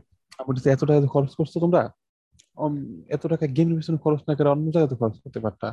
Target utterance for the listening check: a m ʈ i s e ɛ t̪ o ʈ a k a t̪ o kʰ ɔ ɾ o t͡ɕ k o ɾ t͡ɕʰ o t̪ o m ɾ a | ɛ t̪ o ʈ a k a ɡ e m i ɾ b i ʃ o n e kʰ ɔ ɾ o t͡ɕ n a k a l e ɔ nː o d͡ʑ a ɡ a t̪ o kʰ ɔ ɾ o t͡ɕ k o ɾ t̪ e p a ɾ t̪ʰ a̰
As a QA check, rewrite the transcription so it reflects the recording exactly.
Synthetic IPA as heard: a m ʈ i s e ɛ t̪ o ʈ a k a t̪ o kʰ ɔ ɾ o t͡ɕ k o ɾ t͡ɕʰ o t̪ o m ɾ a | ɛ t̪ o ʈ a k a ɡ e m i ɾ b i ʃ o n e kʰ ɔ ɾ o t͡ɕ n a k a ɾ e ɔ nː o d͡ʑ a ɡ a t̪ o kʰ ɔ ɾ o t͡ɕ k o ɾ t̪ e p a ɾ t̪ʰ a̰